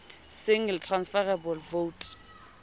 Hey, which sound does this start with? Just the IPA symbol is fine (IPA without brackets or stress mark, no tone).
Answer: s